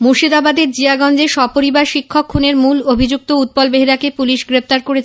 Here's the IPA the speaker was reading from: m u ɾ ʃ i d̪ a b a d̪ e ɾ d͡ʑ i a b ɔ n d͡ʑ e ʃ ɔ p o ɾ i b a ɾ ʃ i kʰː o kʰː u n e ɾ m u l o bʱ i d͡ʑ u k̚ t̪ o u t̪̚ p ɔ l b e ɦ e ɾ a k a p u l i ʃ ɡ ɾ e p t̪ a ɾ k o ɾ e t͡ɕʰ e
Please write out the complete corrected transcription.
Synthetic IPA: m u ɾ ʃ i d̪ a b a d̪ e ɾ d͡ʑ i a ɡ ɔ n d͡ʑ e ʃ ɔ p o ɾ i b a ɾ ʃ i kʰː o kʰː u n e ɾ m u l o bʱ i d͡ʑ u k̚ t̪ o u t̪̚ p ɔ l b e ɦ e ɾ a k e p u l i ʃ ɡ ɾ e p t̪ a ɾ k o ɾ e t͡ɕʰ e